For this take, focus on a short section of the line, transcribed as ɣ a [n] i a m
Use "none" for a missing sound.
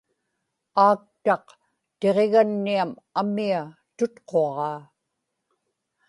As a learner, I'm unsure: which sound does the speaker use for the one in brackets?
nː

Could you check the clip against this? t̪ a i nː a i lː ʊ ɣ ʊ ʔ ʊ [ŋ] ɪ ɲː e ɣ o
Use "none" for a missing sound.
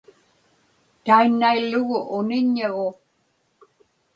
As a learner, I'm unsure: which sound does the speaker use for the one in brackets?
n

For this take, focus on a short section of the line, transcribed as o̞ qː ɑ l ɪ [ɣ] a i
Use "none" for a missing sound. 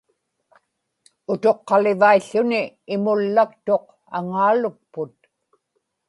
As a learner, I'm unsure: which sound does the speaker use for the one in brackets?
v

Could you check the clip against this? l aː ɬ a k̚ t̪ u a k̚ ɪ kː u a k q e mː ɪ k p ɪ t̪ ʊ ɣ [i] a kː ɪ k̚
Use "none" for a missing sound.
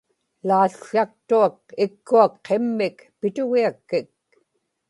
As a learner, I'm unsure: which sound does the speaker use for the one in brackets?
i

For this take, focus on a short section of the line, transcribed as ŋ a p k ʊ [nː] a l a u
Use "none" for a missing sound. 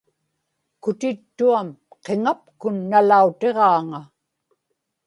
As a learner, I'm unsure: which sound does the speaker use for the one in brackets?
nː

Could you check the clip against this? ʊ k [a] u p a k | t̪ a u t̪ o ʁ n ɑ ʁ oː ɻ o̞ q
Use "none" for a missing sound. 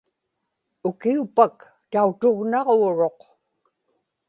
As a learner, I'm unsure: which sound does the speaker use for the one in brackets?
i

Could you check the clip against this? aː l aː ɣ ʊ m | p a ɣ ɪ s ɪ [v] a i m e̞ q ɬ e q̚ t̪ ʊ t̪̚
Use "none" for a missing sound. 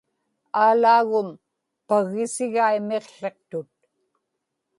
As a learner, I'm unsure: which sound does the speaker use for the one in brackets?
ɣ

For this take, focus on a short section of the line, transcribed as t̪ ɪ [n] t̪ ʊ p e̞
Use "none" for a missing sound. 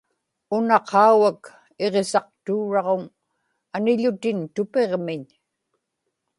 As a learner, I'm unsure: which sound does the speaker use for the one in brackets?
n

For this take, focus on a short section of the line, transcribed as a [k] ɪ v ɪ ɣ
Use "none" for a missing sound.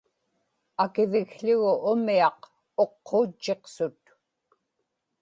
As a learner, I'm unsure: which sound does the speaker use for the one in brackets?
k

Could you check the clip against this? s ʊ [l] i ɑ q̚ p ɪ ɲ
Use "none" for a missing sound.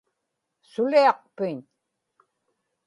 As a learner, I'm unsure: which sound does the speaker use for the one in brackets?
l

